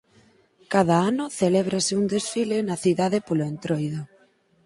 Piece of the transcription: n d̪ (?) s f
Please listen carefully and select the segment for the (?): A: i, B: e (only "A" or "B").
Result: B